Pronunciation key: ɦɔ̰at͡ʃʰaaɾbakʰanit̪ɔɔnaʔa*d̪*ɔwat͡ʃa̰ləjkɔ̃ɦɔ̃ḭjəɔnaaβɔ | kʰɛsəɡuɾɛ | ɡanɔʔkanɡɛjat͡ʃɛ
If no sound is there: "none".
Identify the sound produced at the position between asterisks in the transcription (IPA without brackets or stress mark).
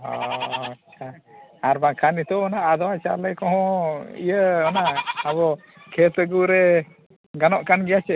d̪